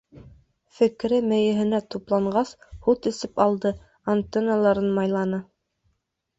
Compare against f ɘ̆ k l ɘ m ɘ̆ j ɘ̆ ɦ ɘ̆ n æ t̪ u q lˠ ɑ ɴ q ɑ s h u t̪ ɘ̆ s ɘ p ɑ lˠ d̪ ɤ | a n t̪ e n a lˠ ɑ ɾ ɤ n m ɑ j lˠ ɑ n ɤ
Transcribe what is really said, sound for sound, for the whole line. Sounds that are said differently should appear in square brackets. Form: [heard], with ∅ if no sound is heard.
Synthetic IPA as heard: f ɘ̆ k [ɾ] ɘ m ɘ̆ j ɘ̆ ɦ ɘ̆ n æ t̪ u [p] lˠ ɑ ɴ [ɢ] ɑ s h u t̪ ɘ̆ s ɘ p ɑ lˠ d̪ ɤ | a n t̪ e n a lˠ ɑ ɾ ɤ n m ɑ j lˠ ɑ n ɤ